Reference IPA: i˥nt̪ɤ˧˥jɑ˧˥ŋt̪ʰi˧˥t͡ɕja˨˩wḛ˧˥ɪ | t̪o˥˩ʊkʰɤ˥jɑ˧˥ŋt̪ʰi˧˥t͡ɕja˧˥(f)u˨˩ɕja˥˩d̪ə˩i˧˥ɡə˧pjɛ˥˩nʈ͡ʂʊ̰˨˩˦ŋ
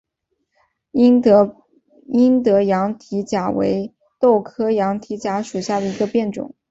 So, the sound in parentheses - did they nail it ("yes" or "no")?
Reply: no